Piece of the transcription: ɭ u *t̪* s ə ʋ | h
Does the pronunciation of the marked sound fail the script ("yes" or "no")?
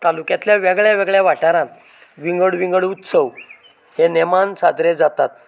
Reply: no